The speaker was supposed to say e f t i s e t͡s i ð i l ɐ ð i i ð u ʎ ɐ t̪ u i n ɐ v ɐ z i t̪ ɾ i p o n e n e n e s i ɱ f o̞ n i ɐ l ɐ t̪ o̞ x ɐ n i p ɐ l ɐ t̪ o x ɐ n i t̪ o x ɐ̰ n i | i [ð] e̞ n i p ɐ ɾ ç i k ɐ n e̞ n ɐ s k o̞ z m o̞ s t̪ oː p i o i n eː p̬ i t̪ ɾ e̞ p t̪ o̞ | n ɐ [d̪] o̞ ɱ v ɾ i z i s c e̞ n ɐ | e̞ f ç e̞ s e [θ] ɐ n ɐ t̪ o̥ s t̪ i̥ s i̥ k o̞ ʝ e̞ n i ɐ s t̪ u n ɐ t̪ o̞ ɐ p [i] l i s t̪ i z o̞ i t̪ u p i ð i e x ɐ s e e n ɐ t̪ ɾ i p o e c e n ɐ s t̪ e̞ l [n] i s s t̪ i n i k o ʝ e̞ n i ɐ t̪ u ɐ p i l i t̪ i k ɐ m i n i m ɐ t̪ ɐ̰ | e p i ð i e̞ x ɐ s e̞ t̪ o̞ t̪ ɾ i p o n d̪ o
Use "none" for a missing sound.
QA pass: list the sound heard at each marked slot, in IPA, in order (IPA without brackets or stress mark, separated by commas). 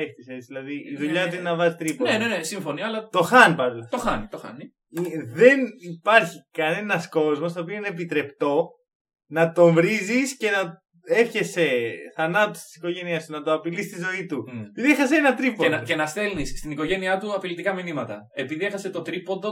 ð, t̪, θ, i, n